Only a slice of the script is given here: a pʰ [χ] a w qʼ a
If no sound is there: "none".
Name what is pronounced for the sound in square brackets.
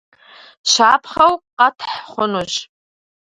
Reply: χ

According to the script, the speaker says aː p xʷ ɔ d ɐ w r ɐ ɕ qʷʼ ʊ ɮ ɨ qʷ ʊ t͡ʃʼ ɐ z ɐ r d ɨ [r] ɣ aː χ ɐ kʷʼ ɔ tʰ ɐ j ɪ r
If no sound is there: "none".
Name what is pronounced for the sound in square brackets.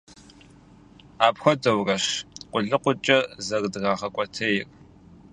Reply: none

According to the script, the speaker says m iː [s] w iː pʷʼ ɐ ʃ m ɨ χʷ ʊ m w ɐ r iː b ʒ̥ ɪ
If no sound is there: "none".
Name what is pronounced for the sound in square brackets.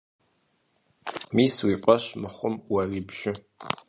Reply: s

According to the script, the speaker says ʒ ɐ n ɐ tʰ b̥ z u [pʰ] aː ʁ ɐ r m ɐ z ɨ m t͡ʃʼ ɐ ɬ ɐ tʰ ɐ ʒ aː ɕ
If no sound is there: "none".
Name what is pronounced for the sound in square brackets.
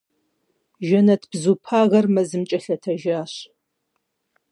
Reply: pʰ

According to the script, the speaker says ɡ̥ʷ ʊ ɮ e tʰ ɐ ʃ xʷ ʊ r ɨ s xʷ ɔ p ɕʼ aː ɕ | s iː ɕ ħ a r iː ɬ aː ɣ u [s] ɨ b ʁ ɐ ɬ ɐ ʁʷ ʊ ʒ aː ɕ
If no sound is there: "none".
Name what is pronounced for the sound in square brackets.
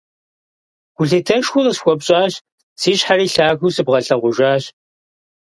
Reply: s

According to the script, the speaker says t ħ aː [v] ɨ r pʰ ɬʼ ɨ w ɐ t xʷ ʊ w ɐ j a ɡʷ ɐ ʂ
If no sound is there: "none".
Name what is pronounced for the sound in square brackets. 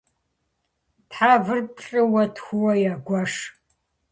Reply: v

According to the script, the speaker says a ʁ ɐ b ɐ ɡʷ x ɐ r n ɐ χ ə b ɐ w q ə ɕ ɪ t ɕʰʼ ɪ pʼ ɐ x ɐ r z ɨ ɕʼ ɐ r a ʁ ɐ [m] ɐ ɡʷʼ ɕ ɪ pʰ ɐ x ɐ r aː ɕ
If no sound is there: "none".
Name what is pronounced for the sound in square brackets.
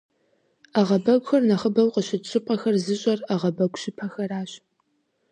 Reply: b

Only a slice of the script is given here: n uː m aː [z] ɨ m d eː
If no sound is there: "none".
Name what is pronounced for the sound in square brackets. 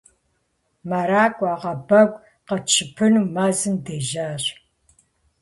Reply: z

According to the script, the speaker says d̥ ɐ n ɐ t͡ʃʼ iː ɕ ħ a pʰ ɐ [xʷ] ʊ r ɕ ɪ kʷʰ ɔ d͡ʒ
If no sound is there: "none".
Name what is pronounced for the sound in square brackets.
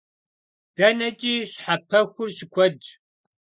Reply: xʷ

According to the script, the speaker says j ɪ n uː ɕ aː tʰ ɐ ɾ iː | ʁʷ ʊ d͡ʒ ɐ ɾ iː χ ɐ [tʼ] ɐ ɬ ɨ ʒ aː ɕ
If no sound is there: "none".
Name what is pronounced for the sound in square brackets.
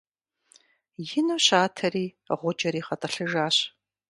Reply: tʼ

